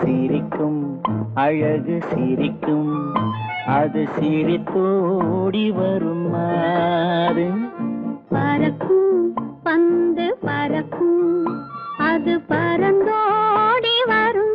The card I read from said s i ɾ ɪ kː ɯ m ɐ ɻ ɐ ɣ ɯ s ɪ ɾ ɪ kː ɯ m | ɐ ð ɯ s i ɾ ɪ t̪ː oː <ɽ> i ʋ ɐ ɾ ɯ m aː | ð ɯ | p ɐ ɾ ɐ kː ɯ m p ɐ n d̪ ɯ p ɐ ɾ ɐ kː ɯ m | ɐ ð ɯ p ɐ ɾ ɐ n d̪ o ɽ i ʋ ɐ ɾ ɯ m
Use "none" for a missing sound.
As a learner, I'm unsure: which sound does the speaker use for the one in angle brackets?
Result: ɽ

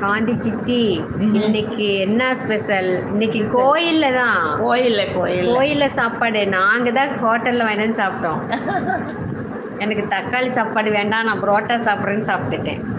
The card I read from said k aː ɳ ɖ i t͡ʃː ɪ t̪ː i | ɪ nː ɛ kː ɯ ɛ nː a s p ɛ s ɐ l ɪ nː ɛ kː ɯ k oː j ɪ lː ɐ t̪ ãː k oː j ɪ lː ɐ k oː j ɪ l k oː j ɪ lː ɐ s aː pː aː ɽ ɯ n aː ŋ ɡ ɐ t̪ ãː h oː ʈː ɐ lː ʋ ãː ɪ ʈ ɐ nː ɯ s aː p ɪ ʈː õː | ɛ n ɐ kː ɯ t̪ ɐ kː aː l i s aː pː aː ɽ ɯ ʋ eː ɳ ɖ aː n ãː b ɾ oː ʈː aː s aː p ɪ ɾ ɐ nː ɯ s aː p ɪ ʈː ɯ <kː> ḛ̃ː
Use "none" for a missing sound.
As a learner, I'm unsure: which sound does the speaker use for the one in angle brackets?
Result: ʈː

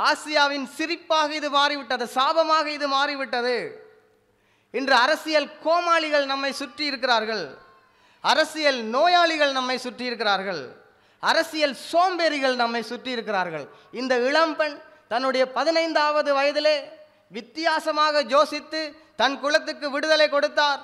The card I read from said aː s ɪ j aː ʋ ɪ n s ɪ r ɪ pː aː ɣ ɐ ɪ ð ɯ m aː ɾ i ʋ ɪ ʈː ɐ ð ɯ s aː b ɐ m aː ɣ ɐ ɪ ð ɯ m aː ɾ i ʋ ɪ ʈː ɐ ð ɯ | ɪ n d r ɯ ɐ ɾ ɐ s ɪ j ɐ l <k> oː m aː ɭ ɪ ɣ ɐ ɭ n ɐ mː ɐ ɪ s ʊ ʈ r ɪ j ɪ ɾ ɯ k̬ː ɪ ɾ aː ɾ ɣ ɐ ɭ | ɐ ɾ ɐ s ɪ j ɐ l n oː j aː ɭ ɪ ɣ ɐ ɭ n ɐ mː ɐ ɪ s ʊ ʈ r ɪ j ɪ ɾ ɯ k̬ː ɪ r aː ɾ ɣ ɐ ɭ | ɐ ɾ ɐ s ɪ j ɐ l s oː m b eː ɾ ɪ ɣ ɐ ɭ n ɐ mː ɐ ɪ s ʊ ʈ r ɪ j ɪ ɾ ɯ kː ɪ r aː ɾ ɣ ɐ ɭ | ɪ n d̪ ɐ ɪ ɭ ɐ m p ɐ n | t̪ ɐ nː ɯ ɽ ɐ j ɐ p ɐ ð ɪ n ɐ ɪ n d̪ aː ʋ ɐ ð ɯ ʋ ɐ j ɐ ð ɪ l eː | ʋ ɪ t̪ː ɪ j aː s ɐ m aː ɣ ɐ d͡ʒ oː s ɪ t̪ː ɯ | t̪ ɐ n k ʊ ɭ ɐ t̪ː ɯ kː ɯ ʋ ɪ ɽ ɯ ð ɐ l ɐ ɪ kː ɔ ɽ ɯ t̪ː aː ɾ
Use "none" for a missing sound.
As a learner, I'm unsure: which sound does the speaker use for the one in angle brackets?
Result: k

